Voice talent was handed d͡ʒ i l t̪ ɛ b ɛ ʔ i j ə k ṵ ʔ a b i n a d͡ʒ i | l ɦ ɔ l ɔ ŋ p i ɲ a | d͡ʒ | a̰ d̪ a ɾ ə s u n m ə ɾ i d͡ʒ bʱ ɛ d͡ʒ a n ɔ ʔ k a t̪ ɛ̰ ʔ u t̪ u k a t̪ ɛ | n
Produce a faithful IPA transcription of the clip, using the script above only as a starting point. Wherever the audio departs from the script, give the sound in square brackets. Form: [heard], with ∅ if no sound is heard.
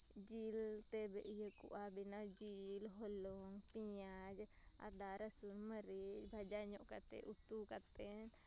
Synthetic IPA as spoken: d͡ʒ i l t̪ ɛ b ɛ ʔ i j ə k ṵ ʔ a b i n a d͡ʒ i | l ɦ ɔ l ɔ ŋ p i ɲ a | d͡ʒ | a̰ d̪ a ɾ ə s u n m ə ɾ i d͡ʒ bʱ [a] d͡ʒ a [ɲ] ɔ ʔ k a t̪ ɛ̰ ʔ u t̪ u k a t̪ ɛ | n

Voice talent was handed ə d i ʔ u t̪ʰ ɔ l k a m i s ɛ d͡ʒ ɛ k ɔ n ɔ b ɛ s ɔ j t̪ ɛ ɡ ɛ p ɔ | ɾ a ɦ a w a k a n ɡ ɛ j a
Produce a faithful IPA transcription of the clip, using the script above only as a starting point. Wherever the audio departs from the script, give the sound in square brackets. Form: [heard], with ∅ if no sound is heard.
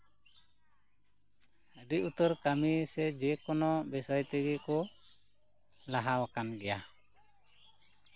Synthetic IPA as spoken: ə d i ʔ u [t̪] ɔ [ɾ] k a m i s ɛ d͡ʒ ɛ k ɔ n ɔ b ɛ s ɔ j t̪ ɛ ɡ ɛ [k] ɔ | [l] a ɦ a w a k a n ɡ ɛ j a

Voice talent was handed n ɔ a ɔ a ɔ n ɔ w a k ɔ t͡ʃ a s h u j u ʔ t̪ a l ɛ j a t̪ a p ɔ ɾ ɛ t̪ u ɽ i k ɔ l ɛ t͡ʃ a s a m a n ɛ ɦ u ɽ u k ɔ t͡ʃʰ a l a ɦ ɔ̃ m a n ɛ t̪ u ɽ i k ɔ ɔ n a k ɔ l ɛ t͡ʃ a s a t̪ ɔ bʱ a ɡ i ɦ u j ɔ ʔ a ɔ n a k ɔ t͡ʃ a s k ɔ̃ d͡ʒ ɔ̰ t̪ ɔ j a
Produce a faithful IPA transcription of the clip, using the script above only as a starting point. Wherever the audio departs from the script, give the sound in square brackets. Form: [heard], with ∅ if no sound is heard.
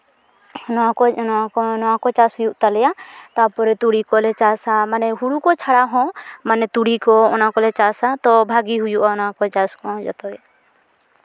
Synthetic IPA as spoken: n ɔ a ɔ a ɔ n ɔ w a k ɔ t͡ʃ a s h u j u ʔ t̪ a l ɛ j a t̪ a p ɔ ɾ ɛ t̪ u ɽ i k ɔ l ɛ t͡ʃ a s a m a n ɛ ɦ u ɽ u k ɔ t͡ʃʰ a [ɽ] a ɦ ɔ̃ m a n ɛ t̪ u ɽ i k ɔ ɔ n a k ɔ l ɛ t͡ʃ a s a t̪ ɔ bʱ a ɡ i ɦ u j [u] ʔ a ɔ n a k ɔ t͡ʃ a s k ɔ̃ d͡ʒ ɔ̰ t̪ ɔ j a

